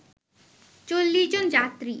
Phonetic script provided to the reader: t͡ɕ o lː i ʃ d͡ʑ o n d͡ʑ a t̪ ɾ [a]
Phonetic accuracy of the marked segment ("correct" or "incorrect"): incorrect